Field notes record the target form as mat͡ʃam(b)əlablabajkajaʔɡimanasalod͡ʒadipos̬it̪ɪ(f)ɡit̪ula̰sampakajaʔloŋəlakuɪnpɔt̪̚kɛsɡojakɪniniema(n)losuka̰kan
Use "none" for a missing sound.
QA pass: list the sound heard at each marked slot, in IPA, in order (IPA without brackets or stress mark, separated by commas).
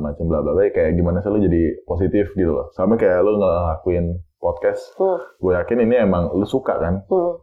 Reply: b, f, ŋ